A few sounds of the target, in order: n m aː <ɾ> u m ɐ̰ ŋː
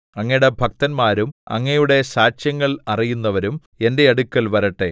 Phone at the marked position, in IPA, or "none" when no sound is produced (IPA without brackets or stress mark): ɾ